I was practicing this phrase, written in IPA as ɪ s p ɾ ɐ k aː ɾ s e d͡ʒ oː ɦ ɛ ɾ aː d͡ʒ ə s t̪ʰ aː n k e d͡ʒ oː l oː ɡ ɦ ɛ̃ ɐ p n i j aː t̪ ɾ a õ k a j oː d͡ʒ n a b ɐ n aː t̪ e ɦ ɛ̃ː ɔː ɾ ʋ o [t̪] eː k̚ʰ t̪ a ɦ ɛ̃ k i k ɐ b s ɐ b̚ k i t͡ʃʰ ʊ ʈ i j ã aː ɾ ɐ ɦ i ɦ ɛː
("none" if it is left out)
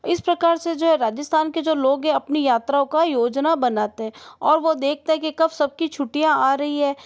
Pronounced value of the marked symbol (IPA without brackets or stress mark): d̪